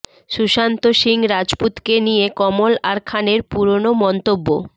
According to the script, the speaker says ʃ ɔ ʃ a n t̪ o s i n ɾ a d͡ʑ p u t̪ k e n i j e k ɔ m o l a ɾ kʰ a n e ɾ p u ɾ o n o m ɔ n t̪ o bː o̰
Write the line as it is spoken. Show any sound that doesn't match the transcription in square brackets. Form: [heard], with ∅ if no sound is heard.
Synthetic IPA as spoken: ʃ [u] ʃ a n t̪ o [ʃ] i [ŋ] ɾ a d͡ʑ p u t̪ k e n i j e k ɔ m o l a ɾ kʰ a n e ɾ p u ɾ o n o m ɔ n t̪ o bː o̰